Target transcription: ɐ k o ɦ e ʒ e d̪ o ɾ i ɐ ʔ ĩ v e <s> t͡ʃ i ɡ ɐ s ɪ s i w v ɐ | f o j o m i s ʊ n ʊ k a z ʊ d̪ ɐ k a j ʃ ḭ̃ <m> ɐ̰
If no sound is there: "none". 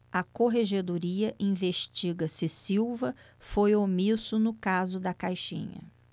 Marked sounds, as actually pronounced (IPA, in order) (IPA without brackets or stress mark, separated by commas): ʃ, ɲ